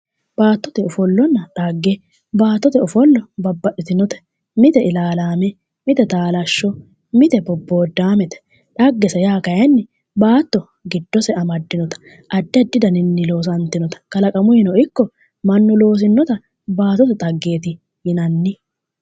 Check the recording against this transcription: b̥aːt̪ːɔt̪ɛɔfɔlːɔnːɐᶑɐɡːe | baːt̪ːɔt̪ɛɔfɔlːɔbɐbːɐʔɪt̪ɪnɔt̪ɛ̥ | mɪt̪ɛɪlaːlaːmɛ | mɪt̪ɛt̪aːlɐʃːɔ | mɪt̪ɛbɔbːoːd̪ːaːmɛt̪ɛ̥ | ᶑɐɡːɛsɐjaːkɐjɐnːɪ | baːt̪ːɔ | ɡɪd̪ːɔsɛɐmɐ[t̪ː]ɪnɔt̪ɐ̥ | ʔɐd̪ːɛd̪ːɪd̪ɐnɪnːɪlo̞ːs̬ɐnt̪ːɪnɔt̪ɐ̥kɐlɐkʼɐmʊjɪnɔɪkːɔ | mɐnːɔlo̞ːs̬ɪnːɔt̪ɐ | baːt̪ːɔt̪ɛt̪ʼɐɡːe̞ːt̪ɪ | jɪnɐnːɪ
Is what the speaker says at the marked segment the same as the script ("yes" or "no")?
no